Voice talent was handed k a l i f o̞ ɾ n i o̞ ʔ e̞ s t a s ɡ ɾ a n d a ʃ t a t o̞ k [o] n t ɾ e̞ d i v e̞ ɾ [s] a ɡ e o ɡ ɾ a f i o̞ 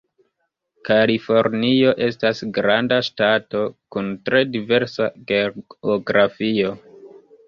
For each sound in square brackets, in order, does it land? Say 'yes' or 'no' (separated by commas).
no, yes